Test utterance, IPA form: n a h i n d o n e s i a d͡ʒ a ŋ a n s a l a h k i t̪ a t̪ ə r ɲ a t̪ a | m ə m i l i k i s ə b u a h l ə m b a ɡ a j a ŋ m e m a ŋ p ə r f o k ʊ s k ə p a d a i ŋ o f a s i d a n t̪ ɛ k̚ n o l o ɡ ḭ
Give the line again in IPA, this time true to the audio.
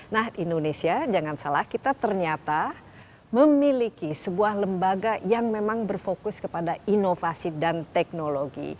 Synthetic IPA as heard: n a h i n d o n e s i a d͡ʒ a ŋ a n s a l a h k i t̪ a t̪ ə r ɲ a t̪ a | m ə m i l i k i s ə b u a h l ə m b a ɡ a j a ŋ m e m a ŋ b ə r f o k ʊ s k ə p a d a i n o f a s i d a n t̪ ɛ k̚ n o l o ɡ ḭ